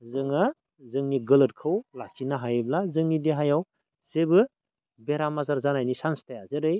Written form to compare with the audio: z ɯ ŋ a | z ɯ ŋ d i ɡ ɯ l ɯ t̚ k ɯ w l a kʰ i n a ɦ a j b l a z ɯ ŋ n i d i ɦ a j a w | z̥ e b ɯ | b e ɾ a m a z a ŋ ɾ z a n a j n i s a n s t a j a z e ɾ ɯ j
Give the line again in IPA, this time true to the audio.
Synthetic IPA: z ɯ ŋ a | z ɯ ŋ n i ɡ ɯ l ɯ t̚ kʰ ɯ w l a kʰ i n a ɦ a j b l a z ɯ ŋ n i d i ɦ a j a w | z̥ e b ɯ | b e ɾ a m a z a ɾ z a n a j n i s a n s t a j a z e ɾ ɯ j